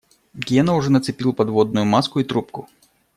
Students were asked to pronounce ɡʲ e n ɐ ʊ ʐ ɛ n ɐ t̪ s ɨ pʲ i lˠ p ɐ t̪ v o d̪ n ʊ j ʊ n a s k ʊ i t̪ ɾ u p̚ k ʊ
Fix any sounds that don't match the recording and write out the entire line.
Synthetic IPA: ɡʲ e n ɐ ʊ ʐ ɛ n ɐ t̪ s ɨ pʲ i lˠ p ɐ d̪ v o d̪ n ʊ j ʊ m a s k ʊ i t̪ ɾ u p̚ k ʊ